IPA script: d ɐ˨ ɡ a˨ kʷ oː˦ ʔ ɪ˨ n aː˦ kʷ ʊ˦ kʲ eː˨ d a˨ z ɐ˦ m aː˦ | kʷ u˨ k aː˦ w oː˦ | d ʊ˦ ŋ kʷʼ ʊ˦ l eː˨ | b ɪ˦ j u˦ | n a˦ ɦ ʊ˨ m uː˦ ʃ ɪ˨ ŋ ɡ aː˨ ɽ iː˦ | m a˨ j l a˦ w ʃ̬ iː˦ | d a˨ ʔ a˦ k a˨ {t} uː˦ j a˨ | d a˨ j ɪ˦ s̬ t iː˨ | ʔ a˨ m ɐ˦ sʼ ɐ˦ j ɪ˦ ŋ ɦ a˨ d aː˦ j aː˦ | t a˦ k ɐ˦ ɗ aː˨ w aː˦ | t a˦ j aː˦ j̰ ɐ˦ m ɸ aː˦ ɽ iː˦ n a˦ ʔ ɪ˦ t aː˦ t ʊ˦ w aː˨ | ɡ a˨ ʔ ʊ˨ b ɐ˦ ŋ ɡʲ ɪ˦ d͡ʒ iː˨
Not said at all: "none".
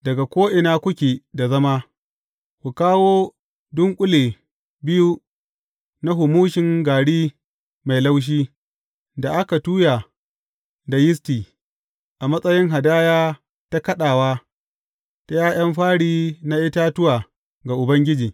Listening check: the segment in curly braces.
t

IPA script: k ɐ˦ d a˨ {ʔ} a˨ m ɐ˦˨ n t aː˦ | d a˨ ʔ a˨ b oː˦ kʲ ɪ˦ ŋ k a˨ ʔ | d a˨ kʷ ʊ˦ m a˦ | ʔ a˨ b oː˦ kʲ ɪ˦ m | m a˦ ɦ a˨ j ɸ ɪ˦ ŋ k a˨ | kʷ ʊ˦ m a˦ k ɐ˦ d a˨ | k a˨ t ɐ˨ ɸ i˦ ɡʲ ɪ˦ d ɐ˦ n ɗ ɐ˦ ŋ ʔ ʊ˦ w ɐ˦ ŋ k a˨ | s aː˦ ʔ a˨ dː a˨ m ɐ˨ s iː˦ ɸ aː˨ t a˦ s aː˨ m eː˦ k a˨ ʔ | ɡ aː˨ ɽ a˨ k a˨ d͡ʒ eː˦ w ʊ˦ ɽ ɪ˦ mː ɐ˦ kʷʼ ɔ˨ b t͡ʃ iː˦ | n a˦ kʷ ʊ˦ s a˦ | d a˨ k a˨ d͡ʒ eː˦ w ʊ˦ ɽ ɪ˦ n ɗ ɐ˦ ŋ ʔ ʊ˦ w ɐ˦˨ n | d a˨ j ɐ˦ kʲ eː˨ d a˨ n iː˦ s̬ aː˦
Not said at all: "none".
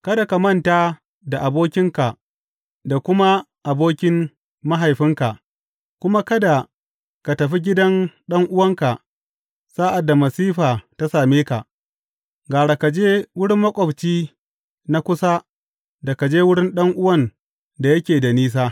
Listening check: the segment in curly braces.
k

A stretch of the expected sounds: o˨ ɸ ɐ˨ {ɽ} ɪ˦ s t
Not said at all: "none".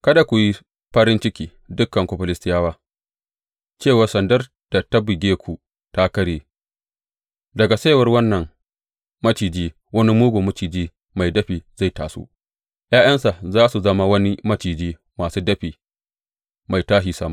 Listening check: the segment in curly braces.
l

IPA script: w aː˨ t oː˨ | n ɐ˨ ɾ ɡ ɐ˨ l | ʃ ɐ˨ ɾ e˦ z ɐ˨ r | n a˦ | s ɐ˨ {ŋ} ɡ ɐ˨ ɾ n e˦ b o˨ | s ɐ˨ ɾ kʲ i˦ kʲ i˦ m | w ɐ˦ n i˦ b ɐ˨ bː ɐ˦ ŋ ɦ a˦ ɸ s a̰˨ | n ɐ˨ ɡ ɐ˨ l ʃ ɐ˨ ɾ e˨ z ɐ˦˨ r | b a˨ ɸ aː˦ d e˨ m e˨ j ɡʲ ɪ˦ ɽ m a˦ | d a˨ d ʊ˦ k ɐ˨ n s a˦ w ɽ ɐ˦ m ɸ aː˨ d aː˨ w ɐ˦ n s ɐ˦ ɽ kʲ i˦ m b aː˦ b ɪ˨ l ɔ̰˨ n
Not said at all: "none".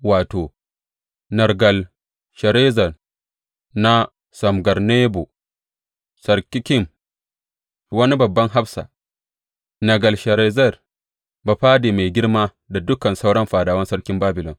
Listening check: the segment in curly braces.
m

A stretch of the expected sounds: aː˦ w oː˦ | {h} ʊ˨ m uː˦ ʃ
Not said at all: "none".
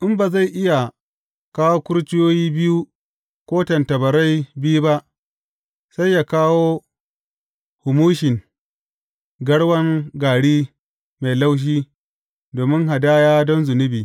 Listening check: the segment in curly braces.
h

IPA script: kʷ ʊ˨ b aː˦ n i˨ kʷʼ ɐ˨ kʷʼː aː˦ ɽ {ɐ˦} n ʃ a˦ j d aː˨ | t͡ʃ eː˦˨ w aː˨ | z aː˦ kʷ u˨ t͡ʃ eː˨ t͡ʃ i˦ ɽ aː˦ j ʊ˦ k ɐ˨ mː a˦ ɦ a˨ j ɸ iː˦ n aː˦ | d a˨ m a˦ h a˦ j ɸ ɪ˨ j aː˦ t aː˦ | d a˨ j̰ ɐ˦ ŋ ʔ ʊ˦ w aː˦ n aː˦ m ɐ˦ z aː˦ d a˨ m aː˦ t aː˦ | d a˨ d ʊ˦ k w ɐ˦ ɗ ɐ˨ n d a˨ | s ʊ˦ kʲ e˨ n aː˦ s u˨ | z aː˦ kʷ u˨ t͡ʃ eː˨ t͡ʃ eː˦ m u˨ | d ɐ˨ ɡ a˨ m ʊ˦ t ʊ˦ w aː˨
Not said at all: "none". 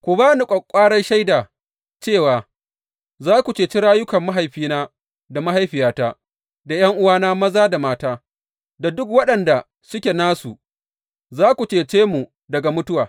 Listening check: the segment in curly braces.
ɐ˦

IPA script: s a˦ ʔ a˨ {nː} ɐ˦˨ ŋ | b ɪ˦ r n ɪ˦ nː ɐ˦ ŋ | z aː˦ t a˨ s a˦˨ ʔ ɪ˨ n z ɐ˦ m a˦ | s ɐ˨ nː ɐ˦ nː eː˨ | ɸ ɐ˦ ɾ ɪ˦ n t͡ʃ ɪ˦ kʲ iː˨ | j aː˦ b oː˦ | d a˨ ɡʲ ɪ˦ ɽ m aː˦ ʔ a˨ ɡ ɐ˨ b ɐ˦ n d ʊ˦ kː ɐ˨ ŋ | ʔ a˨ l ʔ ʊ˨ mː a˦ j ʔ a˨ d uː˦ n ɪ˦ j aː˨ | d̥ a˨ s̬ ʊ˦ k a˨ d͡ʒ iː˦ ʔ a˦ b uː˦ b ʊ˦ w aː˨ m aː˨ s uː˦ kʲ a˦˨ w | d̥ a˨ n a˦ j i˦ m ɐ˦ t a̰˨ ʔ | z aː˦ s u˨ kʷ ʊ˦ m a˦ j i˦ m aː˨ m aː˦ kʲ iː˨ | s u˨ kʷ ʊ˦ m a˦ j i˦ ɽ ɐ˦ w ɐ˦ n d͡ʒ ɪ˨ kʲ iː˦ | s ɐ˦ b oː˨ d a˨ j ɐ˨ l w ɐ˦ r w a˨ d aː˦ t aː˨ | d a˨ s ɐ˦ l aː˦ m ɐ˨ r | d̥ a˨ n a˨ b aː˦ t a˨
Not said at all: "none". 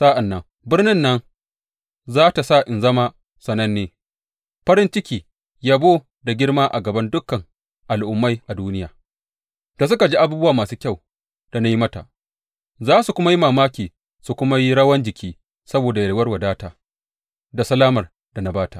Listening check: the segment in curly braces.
nː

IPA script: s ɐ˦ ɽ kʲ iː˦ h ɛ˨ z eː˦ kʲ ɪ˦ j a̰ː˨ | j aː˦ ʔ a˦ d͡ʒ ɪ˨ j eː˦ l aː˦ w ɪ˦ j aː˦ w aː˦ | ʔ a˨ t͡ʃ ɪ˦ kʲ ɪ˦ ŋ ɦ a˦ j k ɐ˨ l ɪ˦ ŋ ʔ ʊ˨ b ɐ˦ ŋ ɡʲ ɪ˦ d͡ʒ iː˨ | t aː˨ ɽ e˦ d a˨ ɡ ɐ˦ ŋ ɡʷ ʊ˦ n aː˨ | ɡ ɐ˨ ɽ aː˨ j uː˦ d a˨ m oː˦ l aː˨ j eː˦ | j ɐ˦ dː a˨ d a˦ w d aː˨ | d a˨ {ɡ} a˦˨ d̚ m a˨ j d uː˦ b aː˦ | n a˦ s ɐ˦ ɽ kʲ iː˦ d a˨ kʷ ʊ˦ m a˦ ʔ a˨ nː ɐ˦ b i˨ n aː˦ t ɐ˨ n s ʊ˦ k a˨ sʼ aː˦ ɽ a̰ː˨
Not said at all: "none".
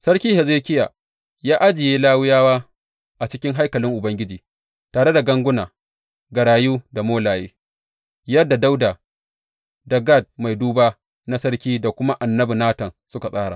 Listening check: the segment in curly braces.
ɡ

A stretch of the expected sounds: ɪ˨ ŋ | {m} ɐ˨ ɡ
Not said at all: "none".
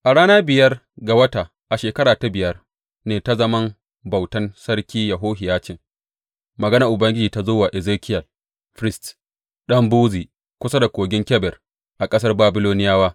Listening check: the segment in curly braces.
m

